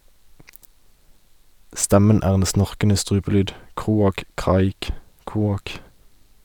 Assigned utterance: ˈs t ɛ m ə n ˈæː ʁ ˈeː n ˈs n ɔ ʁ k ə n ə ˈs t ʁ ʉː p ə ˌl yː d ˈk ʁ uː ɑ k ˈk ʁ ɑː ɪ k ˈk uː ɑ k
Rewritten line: ˈs t ɛ m ə n ˈæː ʁ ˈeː n ˈs n ɔ ʁ k ə n ə ˈs t ʁ ʉː p ə ˌl yː d ˈk ʁ uː ɑ k ˈk ʁ ɑː ɪ k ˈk uː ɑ k

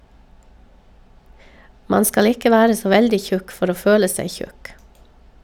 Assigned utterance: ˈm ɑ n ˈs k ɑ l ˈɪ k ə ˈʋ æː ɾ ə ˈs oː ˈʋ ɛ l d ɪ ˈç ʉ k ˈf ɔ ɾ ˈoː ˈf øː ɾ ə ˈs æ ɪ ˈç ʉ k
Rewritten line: ˈm ɑ n ˈs k ɑ l ˈɪ k ə ˈʋ æː ɾ ə ˈs oː ˈʋ ɛ l d ɪ ˈç ʉ k ˈf ɔ ɾ ˈoː ˈf øː l ə ˈs æ ɪ ˈç ʉ k

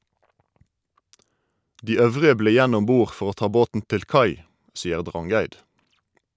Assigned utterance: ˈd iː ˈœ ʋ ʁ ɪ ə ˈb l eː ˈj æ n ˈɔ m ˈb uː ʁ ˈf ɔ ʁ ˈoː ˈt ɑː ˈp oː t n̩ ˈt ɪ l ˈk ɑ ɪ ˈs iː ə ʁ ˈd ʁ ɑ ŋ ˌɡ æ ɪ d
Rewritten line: ˈd iː ˈœ ʋ ʁ ɪ ə ˈb l eː ˈj æ n ˈɔ m ˈb uː ʁ ˈf ɔ ʁ ˈoː ˈt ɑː ˈb oː t n̩ ˈt ɪ l ˈk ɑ ɪ ˈs iː ə ʁ ˈd ʁ ɑ ŋ ˌɡ æ ɪ d

